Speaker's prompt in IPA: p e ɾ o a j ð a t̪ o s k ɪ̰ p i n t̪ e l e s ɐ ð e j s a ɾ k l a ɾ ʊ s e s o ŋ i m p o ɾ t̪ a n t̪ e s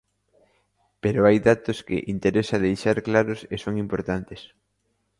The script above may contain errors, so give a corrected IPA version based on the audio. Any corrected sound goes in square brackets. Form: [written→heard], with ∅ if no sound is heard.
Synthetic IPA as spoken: p e ɾ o a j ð a t̪ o s k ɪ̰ [p→ʔ] i n t̪ e [l→ɾ] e s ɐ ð e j [s→ʃ] a ɾ k l a ɾ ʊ s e s o ŋ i m p o ɾ t̪ a n t̪ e s